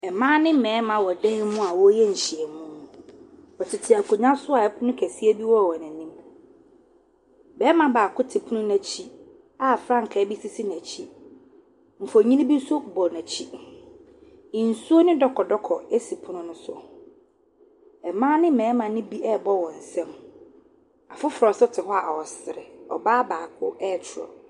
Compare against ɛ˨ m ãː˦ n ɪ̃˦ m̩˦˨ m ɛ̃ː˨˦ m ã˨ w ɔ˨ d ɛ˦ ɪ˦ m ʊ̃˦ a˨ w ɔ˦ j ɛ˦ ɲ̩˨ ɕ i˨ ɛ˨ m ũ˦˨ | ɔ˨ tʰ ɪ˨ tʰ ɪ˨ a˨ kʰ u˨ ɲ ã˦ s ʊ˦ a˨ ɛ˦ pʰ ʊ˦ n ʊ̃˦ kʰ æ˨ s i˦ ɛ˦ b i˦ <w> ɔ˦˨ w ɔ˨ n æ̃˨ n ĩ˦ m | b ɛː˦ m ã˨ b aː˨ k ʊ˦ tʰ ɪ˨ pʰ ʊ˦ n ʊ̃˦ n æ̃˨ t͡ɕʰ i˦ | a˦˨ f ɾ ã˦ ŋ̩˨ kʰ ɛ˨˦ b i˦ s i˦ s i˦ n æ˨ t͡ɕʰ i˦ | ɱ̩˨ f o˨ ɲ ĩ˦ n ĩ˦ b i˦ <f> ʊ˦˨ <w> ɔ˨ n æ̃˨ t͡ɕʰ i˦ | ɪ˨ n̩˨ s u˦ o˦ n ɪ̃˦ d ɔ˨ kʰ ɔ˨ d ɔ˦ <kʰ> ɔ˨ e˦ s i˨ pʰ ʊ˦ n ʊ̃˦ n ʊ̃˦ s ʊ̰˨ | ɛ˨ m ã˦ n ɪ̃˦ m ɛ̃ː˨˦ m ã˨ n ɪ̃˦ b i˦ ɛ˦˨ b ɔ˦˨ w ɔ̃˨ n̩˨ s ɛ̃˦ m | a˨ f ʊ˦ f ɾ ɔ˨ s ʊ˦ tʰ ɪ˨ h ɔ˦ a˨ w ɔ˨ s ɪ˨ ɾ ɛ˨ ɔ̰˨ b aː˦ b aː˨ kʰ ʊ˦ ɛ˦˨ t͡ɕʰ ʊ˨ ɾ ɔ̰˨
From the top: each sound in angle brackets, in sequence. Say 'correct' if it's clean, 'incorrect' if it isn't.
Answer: correct, incorrect: s, incorrect: b, correct

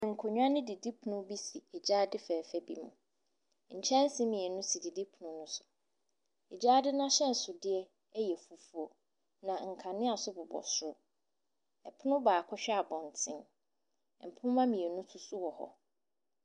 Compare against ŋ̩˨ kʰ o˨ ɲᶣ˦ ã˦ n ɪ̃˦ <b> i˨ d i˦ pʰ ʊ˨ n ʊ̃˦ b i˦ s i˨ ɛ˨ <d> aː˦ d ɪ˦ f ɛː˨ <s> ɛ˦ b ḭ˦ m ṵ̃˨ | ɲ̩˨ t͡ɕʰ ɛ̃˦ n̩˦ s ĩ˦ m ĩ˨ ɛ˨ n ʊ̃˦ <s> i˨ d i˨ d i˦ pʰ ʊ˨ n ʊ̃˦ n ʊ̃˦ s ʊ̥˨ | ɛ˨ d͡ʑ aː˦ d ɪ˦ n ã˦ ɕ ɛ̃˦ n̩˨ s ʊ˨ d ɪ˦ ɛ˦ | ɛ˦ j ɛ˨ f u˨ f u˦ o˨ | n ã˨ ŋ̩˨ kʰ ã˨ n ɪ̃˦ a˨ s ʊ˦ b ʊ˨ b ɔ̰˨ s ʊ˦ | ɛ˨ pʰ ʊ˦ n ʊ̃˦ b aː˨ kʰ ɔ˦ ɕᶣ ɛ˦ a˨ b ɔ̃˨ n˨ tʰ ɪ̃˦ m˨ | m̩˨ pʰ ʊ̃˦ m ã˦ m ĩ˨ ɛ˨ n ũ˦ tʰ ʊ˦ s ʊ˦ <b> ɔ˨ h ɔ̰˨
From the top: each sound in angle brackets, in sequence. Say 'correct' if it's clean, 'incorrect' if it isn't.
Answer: incorrect: d, incorrect: d͡ʑ, incorrect: f, correct, incorrect: w

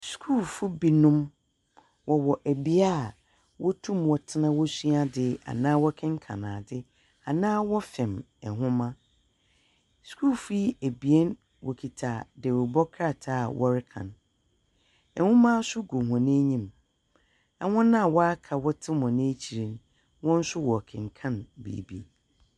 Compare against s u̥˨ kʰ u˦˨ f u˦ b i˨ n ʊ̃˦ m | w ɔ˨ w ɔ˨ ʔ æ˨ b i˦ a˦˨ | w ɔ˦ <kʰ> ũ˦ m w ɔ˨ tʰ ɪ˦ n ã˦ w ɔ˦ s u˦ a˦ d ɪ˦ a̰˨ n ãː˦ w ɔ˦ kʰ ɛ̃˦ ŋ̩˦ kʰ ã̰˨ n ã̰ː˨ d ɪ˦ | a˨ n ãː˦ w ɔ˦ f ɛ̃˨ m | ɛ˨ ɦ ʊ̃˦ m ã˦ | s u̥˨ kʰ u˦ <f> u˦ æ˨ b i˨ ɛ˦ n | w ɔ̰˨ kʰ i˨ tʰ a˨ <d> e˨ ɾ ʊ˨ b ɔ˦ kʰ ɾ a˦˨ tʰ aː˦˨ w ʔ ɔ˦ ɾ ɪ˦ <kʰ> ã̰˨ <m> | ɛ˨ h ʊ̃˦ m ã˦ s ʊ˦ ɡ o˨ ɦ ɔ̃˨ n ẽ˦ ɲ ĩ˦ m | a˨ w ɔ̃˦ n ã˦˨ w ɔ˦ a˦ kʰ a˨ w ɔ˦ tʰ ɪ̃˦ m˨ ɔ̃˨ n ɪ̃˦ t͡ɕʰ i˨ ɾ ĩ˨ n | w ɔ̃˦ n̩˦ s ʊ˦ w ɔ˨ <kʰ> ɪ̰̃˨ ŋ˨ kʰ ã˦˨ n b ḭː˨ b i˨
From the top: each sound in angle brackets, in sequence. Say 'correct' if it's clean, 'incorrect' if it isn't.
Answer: incorrect: tʰ, correct, correct, correct, incorrect: n, correct

